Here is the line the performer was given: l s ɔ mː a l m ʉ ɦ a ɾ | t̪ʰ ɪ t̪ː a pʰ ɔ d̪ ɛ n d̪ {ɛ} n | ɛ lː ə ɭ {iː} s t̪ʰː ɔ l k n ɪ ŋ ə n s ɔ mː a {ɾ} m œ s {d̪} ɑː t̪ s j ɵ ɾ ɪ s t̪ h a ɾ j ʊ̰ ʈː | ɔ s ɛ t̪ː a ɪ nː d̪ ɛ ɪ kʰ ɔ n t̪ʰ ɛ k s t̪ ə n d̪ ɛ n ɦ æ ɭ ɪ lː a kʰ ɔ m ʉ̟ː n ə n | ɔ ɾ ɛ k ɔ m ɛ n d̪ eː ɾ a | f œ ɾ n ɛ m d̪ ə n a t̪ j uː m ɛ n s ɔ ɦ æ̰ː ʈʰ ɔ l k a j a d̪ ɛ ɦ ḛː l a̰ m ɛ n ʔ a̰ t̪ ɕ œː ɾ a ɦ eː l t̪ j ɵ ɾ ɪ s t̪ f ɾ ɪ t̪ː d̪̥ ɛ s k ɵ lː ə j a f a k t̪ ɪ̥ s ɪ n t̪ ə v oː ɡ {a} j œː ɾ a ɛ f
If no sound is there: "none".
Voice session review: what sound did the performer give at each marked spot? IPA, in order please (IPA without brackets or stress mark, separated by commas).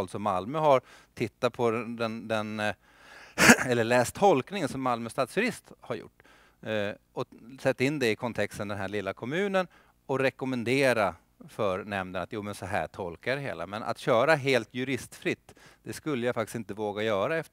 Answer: ɛ, ɛː, l, t̪, a